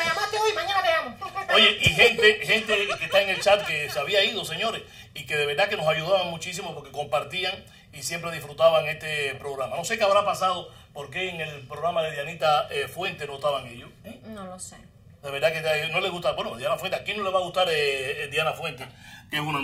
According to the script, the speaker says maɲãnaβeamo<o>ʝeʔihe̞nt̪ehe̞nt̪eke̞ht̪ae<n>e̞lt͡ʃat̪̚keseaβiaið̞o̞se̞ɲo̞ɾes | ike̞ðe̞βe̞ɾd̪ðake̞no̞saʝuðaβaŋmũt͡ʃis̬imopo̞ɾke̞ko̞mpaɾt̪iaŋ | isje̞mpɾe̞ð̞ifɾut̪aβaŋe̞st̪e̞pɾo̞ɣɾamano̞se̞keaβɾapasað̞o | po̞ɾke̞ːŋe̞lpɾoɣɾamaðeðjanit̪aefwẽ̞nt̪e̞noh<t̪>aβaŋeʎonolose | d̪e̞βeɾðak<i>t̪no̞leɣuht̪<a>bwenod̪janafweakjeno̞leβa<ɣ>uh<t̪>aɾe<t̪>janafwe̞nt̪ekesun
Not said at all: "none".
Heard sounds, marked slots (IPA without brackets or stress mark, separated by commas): o, ŋ, t̪, e, a, ɣ, t̪, d̪